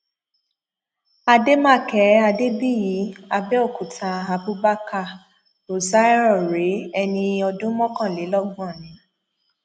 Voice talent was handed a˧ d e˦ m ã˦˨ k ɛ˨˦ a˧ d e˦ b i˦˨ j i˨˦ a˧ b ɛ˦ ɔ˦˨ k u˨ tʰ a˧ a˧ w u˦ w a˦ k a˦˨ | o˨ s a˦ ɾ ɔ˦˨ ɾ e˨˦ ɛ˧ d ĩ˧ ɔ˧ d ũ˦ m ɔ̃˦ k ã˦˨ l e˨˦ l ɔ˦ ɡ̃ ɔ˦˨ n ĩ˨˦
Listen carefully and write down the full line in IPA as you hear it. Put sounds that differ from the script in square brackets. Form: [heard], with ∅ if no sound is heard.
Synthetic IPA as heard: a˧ d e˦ m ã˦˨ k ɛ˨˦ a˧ d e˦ b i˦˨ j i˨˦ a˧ b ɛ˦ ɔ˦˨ k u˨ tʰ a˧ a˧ [b] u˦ [b] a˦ k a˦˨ | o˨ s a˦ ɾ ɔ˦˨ ɾ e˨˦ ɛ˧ [n] ĩ˧ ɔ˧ d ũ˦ m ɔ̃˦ k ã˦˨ l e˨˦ l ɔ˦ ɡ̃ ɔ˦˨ n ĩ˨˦